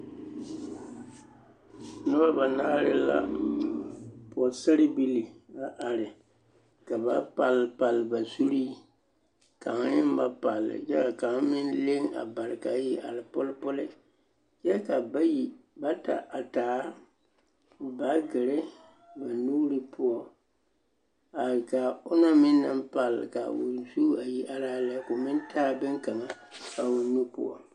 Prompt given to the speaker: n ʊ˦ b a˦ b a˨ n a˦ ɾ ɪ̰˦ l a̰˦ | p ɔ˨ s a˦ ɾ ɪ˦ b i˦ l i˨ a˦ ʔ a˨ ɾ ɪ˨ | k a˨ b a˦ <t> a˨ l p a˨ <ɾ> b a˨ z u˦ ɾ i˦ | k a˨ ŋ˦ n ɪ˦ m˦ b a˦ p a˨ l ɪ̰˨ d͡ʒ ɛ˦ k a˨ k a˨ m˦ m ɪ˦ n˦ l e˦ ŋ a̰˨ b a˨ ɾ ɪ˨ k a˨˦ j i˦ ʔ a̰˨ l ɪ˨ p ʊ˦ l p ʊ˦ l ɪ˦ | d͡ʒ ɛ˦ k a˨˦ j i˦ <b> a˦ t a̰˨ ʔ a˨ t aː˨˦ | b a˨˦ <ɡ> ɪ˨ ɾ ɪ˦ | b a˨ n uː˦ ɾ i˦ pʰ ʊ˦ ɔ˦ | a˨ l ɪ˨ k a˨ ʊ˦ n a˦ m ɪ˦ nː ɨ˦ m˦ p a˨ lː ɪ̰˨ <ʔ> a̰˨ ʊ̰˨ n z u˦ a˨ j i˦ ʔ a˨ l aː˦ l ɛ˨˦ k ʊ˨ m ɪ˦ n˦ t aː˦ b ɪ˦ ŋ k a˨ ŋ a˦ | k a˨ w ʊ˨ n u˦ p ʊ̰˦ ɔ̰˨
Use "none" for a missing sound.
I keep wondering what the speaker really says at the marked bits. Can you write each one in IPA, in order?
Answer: p, l, b, ɡ, k

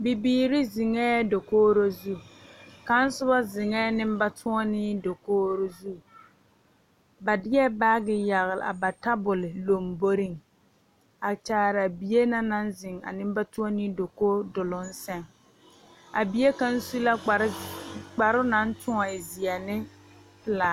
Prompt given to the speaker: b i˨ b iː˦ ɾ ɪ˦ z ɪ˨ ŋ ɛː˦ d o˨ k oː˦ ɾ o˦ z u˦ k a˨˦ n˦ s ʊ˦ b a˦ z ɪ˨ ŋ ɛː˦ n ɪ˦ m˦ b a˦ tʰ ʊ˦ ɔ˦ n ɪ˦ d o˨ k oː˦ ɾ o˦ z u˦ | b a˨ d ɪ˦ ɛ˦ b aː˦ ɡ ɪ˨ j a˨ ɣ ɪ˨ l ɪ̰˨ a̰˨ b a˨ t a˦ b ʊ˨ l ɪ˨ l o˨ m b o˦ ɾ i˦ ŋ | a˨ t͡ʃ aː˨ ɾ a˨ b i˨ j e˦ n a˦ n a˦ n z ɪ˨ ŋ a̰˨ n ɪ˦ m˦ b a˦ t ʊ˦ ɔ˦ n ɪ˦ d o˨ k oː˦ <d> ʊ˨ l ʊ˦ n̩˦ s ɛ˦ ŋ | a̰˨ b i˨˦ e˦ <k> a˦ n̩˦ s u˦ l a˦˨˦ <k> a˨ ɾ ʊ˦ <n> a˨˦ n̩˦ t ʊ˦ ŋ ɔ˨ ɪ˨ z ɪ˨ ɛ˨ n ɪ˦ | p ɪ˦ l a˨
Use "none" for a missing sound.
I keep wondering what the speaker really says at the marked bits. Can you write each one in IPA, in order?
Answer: d, k, k͡p, n

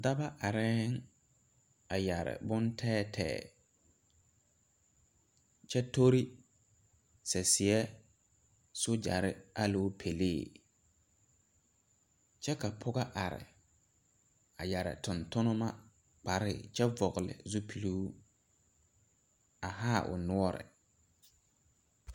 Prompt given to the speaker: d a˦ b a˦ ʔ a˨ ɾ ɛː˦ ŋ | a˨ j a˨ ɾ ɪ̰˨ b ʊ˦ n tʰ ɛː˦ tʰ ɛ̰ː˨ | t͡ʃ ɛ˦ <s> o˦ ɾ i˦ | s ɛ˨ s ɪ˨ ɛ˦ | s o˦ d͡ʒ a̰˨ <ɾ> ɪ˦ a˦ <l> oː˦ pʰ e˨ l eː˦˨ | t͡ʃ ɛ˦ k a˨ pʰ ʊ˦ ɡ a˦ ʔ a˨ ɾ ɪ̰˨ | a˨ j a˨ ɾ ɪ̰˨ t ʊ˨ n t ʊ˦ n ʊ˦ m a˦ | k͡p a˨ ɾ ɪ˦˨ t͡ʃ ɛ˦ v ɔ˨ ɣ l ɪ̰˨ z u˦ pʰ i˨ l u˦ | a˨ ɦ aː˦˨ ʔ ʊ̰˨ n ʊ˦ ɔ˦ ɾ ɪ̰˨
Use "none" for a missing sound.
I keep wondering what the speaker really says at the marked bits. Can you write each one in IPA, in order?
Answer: t, ɾ, l

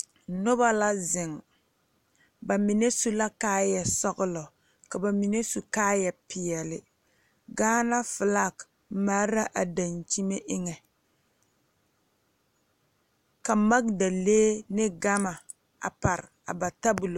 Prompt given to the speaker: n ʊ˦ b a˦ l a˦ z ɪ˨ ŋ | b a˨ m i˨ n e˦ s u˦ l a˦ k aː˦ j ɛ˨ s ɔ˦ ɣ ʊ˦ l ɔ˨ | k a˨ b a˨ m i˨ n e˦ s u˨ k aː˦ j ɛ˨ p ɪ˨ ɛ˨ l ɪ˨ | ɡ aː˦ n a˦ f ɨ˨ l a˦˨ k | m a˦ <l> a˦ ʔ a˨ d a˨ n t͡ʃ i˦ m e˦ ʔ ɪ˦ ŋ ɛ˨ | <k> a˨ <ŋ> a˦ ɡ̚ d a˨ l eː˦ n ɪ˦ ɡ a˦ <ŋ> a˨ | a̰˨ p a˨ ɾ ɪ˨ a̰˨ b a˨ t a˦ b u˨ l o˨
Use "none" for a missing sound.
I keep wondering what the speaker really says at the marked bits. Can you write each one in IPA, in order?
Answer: ɾ, k, m, m

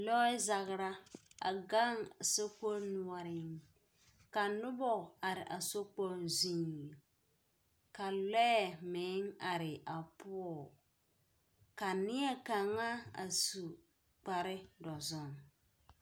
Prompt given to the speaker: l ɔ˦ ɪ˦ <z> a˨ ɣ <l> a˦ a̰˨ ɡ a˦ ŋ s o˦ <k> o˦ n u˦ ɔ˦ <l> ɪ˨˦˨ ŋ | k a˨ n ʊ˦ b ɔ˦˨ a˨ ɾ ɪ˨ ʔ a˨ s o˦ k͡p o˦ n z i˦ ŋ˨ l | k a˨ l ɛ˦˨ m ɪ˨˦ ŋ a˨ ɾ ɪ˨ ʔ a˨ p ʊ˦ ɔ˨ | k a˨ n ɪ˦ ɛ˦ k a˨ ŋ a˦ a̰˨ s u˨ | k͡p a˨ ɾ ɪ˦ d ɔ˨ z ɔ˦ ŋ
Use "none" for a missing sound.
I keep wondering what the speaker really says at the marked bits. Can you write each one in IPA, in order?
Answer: z, ɾ, k, ɾ

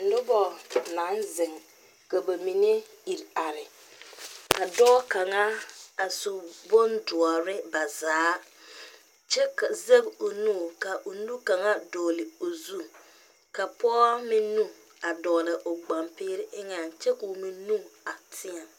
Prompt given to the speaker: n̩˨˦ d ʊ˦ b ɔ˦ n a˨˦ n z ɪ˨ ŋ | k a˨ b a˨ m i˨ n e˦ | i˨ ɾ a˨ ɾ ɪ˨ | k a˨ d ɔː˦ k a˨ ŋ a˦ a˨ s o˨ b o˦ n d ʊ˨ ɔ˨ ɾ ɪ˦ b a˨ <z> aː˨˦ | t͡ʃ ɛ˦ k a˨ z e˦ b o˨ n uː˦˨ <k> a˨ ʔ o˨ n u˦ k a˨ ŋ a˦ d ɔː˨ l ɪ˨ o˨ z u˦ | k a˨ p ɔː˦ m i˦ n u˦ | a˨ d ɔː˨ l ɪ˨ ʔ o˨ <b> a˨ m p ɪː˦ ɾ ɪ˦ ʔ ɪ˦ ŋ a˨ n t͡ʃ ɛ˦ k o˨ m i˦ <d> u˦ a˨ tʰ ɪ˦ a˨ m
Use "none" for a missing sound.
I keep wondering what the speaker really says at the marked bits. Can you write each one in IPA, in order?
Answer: z, k, ɡ͡b, n

